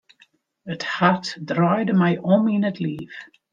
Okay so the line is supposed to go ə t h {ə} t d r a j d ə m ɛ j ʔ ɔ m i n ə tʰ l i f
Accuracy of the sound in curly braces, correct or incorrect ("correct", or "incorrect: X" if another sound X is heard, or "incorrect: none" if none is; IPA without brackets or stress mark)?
incorrect: a